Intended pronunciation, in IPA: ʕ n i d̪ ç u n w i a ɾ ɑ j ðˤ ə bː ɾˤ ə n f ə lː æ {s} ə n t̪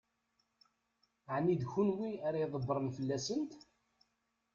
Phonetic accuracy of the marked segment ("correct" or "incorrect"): correct